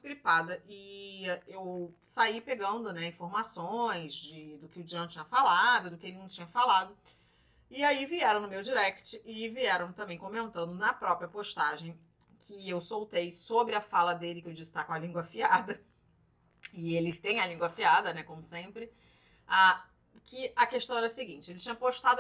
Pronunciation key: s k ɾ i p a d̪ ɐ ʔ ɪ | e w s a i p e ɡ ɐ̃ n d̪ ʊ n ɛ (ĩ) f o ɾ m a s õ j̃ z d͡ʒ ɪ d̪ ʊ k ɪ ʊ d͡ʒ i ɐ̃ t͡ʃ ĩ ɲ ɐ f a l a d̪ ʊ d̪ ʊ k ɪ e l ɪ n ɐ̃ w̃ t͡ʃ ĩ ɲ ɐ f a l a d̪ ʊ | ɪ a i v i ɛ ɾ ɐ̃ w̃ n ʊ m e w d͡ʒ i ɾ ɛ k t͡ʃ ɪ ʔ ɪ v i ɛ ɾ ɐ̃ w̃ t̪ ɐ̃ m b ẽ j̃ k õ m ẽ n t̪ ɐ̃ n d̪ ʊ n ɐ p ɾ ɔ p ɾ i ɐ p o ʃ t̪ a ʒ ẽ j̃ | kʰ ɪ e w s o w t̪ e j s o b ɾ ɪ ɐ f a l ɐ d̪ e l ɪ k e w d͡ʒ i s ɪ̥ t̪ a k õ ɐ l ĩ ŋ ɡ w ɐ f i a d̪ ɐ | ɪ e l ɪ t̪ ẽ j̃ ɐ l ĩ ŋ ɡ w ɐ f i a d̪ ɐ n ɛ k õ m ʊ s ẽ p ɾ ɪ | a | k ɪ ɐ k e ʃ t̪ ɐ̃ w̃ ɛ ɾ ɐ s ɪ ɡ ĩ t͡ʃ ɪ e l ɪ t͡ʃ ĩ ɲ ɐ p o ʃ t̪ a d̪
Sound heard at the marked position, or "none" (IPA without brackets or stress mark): ĩ